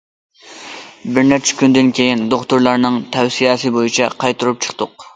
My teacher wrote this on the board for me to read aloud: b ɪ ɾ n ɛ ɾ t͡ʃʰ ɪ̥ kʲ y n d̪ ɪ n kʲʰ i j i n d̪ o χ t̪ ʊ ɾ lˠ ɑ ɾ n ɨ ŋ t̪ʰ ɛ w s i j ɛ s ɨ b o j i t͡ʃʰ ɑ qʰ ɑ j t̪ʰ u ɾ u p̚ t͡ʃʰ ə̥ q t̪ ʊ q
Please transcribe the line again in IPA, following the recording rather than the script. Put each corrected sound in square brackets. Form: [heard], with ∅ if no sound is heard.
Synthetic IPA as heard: b ɪ ɾ n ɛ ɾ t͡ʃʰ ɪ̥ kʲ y n d̪ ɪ n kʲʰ [e] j i n d̪ o χ t̪ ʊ ɾ lˠ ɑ ɾ n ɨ ŋ t̪ʰ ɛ w s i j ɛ s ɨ b o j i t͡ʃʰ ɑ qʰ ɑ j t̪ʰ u ɾ u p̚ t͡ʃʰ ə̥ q t̪ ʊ q